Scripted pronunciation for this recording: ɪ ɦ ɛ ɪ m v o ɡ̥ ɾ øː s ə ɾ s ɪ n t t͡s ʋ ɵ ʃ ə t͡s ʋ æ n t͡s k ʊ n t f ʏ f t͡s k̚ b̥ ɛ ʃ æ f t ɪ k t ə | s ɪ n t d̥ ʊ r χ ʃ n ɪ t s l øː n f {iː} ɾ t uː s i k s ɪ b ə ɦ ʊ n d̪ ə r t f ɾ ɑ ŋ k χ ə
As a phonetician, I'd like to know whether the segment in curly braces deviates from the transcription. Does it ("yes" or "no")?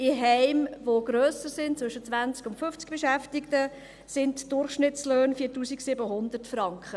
no